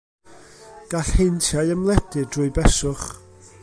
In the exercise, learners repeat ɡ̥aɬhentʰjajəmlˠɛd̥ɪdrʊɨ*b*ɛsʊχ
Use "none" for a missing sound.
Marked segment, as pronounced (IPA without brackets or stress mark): b